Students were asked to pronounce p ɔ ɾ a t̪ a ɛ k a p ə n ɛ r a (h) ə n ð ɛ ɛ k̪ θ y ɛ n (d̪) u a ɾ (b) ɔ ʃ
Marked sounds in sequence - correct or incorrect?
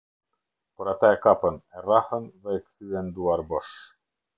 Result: correct, correct, correct

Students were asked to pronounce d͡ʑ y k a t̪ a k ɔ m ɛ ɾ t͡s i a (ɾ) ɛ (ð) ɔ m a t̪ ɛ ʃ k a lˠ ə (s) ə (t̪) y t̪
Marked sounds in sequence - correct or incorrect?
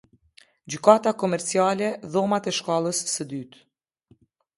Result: incorrect: l, correct, incorrect: sː, incorrect: d̪

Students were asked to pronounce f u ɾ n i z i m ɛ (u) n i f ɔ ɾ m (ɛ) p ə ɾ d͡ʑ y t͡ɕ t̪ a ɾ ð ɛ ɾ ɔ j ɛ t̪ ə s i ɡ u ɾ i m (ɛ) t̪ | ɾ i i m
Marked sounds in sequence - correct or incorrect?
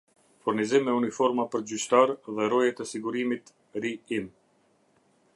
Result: correct, incorrect: a, incorrect: i

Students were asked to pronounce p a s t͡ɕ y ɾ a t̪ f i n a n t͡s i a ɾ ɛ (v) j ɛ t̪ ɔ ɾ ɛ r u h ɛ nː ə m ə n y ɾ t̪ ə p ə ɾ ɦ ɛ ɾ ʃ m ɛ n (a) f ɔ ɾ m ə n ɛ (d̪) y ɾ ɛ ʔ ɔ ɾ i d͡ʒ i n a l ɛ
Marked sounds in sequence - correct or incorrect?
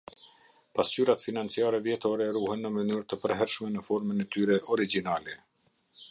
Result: correct, incorrect: ə, incorrect: t̪

